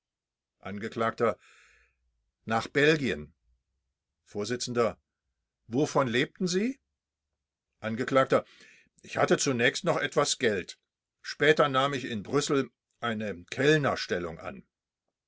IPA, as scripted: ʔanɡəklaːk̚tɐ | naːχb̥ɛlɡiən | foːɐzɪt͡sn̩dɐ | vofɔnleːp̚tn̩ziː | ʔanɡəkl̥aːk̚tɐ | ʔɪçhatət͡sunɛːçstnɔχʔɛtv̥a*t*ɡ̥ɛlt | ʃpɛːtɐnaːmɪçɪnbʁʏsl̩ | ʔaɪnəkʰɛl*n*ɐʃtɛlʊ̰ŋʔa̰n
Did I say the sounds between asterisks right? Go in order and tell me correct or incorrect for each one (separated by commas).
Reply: incorrect, correct